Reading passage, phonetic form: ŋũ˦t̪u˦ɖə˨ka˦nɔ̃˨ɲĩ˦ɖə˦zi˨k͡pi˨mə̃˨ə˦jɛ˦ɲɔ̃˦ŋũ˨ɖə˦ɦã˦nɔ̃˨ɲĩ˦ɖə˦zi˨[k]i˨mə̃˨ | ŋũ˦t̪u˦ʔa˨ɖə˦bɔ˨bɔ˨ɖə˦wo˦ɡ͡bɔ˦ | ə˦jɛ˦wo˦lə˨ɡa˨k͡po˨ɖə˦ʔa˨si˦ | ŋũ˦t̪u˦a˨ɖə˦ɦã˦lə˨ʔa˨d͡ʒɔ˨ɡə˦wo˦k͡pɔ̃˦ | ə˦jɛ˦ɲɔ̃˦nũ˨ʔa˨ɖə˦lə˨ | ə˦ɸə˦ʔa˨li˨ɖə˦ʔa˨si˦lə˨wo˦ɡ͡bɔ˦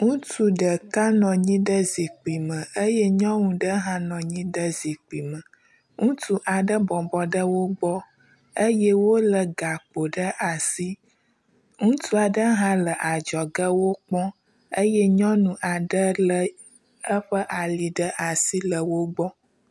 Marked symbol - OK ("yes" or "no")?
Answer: no